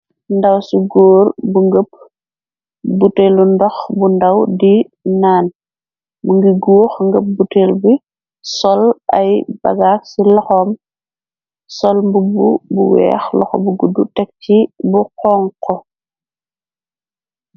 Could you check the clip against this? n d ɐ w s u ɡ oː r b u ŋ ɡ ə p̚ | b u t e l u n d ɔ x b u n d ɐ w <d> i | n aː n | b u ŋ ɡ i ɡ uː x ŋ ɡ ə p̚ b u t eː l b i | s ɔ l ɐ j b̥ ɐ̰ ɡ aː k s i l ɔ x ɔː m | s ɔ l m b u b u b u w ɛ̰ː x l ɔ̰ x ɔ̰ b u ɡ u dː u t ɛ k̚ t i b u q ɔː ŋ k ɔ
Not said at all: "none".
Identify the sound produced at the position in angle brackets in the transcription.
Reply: d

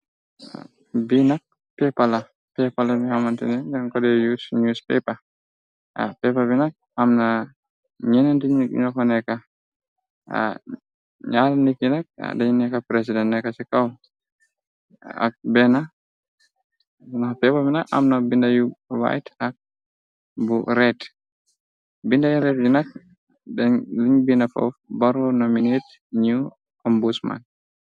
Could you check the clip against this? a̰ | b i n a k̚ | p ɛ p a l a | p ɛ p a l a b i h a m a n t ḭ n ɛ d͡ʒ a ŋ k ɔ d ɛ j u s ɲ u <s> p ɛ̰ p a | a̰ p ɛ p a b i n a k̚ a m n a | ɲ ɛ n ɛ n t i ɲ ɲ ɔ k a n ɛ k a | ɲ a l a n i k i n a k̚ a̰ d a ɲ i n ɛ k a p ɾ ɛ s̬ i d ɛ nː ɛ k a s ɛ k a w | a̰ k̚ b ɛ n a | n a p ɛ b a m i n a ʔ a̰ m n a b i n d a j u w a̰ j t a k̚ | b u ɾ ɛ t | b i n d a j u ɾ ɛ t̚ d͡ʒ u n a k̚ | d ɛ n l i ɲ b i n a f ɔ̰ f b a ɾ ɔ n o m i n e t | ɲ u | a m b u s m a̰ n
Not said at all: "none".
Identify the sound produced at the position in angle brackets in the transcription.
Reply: s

